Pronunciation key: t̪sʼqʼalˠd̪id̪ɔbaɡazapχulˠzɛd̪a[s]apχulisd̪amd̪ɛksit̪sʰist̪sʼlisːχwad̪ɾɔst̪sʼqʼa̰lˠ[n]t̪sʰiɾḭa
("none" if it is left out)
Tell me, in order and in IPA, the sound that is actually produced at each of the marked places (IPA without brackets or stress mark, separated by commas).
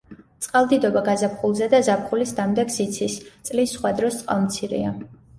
z, m